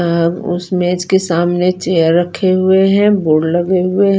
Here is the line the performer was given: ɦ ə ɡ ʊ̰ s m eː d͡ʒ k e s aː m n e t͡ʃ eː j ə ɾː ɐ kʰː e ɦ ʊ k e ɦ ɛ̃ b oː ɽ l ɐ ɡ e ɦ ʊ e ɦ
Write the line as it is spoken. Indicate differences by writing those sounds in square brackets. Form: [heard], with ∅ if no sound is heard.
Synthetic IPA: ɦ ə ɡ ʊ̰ s m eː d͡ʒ k e s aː m n e t͡ʃ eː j ə ɾː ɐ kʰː e ɦ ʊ [∅] e ɦ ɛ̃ b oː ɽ l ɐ ɡ e ɦ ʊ e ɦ